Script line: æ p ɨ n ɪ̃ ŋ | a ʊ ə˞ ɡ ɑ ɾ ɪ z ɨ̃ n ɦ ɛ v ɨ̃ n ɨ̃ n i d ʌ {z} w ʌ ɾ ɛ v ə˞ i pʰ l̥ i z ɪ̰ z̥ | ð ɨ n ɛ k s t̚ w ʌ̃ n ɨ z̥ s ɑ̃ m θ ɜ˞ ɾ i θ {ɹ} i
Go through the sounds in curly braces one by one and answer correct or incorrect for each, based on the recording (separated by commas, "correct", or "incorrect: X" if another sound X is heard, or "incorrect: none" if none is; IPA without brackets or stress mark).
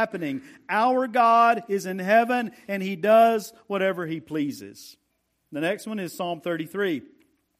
correct, correct